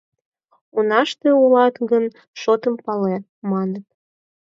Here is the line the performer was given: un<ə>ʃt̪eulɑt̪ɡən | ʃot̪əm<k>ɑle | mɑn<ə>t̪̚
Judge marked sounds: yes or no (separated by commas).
no, no, yes